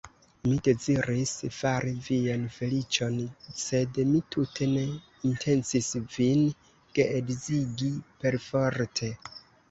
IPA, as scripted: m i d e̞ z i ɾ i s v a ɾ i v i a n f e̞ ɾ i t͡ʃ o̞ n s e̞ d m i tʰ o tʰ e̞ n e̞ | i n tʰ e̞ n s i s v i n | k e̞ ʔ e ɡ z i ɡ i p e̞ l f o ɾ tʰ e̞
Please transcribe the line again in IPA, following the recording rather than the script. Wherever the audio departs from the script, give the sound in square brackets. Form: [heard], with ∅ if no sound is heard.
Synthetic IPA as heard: m i d e̞ z i ɾ i s [f] a ɾ i v i a n f e̞ [l] i t͡ʃ o̞ n s e̞ d m i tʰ [u] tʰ e̞ n e̞ | i n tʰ e̞ n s i s v i n | k e̞ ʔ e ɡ z i ɡ i p e̞ [ɾ] f o ɾ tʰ e̞